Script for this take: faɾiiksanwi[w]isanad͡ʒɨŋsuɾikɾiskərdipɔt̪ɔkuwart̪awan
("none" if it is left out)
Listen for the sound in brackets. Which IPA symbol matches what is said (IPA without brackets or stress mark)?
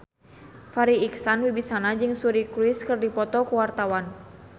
b